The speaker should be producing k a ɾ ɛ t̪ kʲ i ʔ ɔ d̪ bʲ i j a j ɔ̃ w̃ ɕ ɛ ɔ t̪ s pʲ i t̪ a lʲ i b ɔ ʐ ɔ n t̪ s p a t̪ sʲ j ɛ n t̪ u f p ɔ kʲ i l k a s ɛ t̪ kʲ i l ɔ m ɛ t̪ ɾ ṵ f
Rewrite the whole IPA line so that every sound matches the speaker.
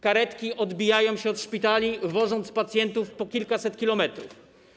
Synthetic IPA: k a ɾ ɛ t̪ kʲ i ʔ ɔ d̪ bʲ i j a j ɔ̃ w̃ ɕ ɛ ɔ t̪ ʂ pʲ i t̪ a lʲ i v ɔ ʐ ɔ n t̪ s p a t̪ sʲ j ɛ n t̪ u f p ɔ kʲ i l k a s ɛ t̪ kʲ i l ɔ m ɛ t̪ ɾ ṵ f

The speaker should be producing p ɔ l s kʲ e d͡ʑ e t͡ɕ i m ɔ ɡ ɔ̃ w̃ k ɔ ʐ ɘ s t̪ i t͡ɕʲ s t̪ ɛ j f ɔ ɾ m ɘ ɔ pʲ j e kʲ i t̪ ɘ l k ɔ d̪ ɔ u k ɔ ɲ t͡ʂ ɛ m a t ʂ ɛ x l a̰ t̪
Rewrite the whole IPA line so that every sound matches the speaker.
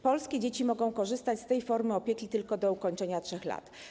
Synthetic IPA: p ɔ l s kʲ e d͡ʑ e t͡ɕ i m ɔ ɡ ɔ̃ w̃ k ɔ ʐ ɘ s t̪ a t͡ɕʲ s t̪ ɛ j f ɔ ɾ m ɘ ɔ pʲ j e kʲ i t̪ ɘ l k ɔ d̪ ɔ u k ɔ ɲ t͡ʂ ɛ ɲ a t ʂ ɛ x l a̰ t̪

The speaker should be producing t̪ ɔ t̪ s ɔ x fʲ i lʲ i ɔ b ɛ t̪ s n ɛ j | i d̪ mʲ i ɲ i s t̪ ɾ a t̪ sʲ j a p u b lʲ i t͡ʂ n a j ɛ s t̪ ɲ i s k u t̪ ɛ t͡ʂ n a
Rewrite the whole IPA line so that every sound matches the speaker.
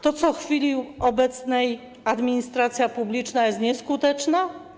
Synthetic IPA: t̪ ɔ t̪ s ɔ x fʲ i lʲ i ɔ b ɛ t̪ s n ɛ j | a d̪ mʲ i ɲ i s t̪ ɾ a t̪ sʲ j a p u b lʲ i t͡ʂ n a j ɛ s t̪ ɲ ɛ s k u t̪ ɛ t͡ʂ n a

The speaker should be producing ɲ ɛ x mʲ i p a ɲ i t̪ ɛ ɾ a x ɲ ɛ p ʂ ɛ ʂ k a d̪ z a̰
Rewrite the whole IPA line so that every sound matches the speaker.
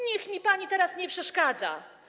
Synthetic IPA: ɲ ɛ x mʲ i p a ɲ i t̪ ɛ ɾ a s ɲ ɛ p ʂ ɛ ʂ k a d̪ z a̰

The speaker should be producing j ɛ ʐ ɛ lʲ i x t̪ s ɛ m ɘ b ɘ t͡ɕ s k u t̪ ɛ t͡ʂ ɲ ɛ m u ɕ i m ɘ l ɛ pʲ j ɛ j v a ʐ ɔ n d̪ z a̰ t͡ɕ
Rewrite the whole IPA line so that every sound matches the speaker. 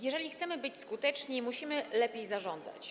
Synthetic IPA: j ɛ ʐ ɛ lʲ i x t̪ s ɛ m ɘ b ɘ t͡ɕ s k u t̪ ɛ t͡ʂ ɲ i m u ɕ i m ɘ l ɛ pʲ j e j z a ʐ ɔ n d̪ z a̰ t͡ɕ

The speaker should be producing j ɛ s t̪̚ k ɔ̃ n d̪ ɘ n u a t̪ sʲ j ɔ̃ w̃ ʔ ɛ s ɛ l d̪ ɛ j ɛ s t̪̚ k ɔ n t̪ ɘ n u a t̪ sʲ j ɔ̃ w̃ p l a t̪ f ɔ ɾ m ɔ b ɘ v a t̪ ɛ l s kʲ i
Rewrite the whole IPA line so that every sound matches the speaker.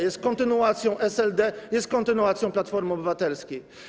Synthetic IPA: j ɛ s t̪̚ k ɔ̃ n t̪ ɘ n u a t̪ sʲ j ɔ̃ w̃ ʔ ɛ s ɛ l d̪ ɛ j ɛ s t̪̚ k ɔ n t̪ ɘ n u a t̪ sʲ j ɔ̃ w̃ p l a t̪ f ɔ ɾ m ɔ b ɘ v a t̪ ɛ l s kʲ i

